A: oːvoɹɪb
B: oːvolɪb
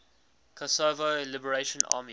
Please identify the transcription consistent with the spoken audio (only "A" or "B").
B